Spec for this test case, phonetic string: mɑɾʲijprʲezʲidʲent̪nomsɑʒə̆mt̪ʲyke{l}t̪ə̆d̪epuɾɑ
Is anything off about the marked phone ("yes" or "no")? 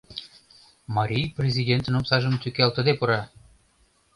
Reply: no